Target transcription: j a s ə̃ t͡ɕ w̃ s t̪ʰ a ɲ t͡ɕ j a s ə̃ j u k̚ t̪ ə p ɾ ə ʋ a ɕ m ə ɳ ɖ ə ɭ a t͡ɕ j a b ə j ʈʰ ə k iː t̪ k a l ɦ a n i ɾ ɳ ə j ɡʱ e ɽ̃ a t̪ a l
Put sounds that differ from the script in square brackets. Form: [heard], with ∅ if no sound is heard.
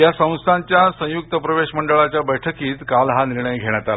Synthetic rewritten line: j a s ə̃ [∅] w̃ s t̪ʰ a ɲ t͡ɕ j a s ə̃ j u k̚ t̪ ə p ɾ ə ʋ [e] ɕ m ə ɳ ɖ ə ɭ a t͡ɕ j a b ə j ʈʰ ə k iː t̪ k a l ɦ a n i ɾ ɳ ə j ɡʱ e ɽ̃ a t̪ a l